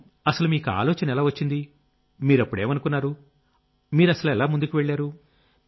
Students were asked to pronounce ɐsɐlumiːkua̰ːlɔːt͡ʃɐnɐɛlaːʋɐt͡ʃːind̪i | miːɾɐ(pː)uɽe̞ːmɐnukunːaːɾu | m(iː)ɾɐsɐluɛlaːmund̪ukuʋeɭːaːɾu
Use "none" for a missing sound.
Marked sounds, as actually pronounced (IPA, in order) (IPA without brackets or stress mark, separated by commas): pː, iː